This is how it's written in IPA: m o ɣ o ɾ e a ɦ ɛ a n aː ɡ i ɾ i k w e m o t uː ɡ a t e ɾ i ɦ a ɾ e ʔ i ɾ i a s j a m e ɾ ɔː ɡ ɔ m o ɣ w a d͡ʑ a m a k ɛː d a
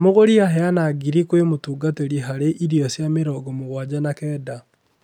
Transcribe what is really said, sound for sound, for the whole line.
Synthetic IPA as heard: m o ɣ o ɾ i a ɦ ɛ a n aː ɡ i ɾ i k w e m o t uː ɡ a t e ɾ i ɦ a ɾ e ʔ i ɾ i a s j a m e ɾ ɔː ɡ ɔ m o ɣ w a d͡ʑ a n a k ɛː d a